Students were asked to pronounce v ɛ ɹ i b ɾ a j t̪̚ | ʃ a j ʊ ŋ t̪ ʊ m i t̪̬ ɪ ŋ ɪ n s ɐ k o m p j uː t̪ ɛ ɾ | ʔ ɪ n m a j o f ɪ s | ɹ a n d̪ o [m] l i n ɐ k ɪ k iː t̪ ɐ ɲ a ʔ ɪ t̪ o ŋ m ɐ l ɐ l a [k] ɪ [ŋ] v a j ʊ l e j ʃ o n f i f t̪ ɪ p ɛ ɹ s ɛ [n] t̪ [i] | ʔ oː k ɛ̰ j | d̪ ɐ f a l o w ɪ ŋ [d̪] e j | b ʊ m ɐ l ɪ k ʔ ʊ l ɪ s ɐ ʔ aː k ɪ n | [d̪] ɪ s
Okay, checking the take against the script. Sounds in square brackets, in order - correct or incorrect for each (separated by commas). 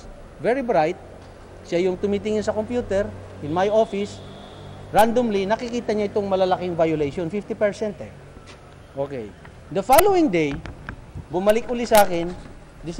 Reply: correct, correct, correct, correct, incorrect, correct, correct